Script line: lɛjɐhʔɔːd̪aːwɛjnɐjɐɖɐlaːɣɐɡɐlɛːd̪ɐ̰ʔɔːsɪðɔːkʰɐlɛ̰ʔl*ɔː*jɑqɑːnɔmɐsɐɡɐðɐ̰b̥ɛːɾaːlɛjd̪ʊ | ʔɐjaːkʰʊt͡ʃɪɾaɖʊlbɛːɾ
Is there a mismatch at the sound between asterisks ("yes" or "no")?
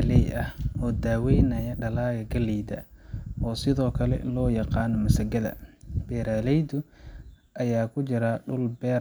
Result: no